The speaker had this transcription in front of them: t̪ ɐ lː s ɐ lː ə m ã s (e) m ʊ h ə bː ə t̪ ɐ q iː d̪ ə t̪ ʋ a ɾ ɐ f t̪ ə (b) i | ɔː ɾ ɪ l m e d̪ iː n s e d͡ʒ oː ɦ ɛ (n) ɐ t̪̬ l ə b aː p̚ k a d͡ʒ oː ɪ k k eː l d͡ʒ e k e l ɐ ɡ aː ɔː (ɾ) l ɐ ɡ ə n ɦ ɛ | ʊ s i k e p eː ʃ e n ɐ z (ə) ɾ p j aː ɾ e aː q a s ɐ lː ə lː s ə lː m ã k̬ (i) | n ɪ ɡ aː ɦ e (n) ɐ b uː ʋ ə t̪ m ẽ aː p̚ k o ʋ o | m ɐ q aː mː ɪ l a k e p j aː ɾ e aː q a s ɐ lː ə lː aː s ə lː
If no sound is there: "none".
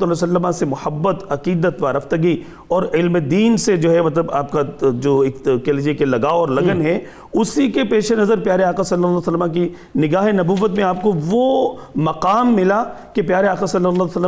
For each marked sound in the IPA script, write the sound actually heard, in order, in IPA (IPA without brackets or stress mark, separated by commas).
e, ɡ, m, ɾ, ə, i, n